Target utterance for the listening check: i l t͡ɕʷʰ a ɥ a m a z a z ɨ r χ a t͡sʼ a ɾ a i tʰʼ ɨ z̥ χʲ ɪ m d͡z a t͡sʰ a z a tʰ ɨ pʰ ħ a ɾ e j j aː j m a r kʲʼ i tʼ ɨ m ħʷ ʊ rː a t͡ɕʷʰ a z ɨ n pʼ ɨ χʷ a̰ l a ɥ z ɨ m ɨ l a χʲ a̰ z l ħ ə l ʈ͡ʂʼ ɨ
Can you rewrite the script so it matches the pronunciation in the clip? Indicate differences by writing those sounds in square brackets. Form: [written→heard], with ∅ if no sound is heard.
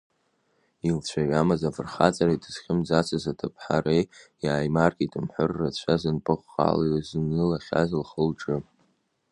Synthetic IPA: i l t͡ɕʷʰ a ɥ a m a z a [z→v] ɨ r χ a t͡sʼ a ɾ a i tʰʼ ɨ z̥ χʲ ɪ m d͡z a t͡sʰ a z a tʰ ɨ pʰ ħ a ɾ e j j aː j m a r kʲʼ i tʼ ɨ m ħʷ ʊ rː a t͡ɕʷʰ a z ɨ n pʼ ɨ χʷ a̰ l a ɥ z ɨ [m→n] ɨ l a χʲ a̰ z l [ħ→χ] ə l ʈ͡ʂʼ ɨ